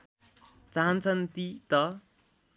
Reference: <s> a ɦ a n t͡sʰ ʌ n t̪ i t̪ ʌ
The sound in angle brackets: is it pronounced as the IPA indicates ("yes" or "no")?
no